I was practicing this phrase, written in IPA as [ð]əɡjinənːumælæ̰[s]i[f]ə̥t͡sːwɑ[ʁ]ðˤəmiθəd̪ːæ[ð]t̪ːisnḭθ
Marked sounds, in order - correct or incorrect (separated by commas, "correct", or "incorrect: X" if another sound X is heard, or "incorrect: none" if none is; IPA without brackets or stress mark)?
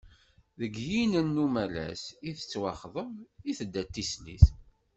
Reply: correct, correct, incorrect: θ, incorrect: χ, incorrect: none